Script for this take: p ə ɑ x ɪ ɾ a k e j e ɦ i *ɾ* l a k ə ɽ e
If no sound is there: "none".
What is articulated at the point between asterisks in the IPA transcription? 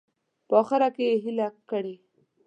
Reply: none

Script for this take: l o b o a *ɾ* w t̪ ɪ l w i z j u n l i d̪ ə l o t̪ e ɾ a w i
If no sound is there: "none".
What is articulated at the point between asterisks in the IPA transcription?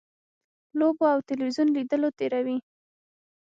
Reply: none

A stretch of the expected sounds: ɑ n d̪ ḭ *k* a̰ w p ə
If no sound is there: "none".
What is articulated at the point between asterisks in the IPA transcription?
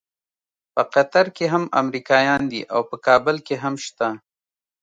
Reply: ʔ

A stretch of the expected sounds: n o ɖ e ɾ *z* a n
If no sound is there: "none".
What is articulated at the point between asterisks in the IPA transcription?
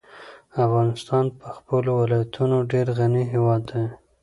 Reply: ɣ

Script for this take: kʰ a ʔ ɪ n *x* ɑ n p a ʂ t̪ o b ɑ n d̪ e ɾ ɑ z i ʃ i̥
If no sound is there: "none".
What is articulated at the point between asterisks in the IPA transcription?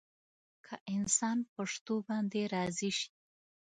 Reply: s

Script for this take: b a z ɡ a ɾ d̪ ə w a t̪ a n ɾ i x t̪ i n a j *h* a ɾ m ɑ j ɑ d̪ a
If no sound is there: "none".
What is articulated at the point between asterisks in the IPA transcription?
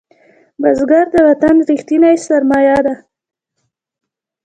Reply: s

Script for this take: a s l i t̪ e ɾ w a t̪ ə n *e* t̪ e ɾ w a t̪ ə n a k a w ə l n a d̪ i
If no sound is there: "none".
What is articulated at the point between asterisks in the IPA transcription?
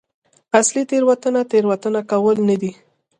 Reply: a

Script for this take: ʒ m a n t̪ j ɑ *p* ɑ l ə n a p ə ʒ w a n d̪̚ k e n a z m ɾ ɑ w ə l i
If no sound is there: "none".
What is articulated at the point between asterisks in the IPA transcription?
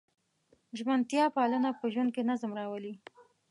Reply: p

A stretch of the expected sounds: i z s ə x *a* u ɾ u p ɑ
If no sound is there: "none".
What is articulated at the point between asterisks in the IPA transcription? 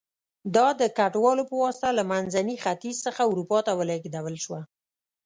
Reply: a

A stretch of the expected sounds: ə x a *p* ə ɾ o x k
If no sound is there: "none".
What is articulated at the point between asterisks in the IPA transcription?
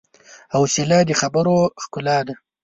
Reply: b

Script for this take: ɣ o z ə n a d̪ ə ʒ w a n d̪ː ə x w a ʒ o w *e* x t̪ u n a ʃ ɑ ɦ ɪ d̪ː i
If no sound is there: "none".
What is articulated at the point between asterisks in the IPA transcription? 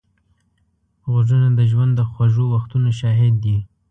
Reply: a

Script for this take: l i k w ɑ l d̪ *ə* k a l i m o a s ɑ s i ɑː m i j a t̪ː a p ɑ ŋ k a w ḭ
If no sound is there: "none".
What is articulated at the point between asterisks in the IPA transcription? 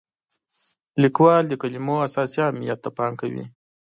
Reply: ə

